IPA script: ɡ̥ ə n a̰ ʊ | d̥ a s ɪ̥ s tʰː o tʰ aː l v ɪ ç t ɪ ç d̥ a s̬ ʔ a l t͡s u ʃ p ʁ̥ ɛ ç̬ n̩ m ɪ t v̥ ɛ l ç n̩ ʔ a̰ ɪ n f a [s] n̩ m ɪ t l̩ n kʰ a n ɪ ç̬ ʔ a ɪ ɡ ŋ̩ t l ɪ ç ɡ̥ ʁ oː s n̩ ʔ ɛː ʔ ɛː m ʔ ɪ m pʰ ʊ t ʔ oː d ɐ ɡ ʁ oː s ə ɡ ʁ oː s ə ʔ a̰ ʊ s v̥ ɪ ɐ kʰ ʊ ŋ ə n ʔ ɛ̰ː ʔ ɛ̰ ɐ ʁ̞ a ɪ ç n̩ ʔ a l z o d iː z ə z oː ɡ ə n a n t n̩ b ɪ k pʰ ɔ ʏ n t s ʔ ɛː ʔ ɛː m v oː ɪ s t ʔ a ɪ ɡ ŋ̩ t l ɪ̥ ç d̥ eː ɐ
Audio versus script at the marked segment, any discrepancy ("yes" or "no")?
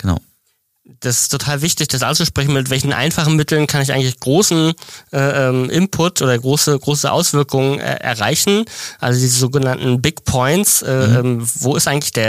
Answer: yes